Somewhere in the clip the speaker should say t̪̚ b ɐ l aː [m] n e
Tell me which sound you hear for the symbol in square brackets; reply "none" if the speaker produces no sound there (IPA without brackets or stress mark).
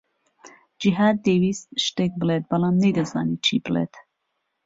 m